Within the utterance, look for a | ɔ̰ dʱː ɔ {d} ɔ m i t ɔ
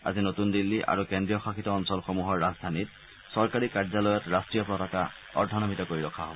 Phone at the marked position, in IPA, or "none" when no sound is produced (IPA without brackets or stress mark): n